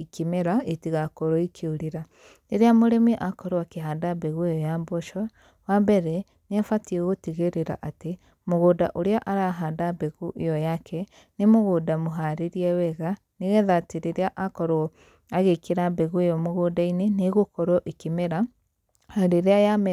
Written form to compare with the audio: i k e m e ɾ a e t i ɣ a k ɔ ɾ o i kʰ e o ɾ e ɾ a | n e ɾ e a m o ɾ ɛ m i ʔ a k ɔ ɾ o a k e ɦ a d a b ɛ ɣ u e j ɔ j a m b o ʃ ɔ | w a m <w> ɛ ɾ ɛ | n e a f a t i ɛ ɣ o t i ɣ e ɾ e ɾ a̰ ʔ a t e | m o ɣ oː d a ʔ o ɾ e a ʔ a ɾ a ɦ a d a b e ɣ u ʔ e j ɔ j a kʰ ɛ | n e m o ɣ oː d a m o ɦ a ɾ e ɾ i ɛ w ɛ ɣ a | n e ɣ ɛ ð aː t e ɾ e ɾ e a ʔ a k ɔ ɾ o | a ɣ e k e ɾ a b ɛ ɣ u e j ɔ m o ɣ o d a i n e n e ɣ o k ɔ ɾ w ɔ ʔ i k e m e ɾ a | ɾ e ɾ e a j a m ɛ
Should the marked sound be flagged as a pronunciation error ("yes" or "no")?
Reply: yes